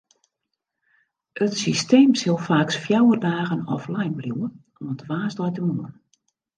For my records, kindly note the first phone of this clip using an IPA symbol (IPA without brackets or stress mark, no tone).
ə